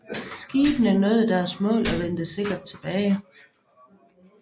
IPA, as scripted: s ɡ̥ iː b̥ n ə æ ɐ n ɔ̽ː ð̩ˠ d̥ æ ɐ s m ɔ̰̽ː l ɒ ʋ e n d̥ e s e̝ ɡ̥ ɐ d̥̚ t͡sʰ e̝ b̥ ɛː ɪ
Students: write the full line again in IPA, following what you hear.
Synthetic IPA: s ɡ̥ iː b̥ n ə æ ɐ n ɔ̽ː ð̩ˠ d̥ æ ɐ s m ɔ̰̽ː l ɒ ʋ e n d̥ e s e̝ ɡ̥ ɐ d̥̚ t͡sʰ e̝ b̥ ɛː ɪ